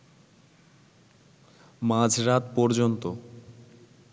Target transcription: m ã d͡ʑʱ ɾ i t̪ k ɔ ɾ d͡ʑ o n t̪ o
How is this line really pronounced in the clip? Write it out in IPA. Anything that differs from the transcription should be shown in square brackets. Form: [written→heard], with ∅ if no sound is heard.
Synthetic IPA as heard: m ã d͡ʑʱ ɾ [i→a] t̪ [k→p] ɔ ɾ d͡ʑ o n t̪ o